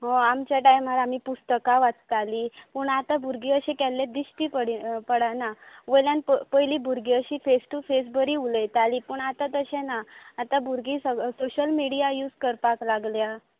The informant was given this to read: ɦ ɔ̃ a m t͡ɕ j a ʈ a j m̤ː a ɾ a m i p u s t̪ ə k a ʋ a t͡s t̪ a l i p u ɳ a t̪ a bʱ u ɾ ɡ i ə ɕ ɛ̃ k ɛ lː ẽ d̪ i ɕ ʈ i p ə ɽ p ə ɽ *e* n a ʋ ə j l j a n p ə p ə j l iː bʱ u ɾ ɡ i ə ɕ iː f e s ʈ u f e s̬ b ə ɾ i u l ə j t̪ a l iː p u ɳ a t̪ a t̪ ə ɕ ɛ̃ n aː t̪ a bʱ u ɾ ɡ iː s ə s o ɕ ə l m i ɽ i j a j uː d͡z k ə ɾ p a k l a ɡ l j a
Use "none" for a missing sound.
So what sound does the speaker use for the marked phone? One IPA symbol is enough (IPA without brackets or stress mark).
a